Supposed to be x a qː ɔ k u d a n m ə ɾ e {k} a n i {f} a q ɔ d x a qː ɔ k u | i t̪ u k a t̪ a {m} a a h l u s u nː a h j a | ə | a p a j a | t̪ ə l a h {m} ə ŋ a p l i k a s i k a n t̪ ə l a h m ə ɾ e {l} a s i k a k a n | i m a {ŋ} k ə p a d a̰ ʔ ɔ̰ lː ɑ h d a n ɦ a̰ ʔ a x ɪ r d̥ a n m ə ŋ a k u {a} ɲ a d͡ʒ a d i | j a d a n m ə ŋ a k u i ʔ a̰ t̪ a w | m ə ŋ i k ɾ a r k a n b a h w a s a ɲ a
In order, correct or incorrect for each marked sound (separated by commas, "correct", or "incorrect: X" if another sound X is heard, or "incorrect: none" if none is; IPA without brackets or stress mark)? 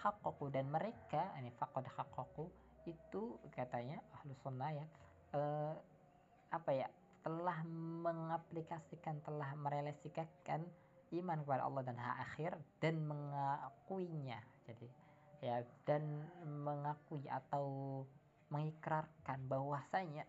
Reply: correct, correct, incorrect: ɲ, correct, correct, incorrect: n, incorrect: i